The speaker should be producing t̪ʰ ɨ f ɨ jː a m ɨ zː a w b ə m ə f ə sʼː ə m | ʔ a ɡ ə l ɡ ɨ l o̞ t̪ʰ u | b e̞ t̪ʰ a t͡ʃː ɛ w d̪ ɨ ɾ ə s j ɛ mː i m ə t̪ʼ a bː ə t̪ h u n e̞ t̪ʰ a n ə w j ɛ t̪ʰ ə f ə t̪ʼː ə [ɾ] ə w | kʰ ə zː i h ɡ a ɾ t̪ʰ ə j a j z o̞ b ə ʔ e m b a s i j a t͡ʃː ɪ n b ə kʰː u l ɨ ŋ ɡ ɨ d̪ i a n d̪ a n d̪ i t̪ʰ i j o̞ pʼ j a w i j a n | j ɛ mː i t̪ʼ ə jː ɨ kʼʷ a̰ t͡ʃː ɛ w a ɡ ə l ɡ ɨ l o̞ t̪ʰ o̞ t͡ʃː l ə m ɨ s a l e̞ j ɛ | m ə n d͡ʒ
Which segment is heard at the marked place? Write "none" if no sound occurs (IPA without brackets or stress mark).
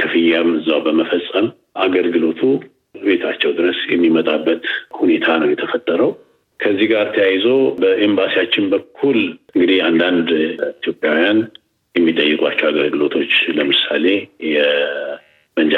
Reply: ɾ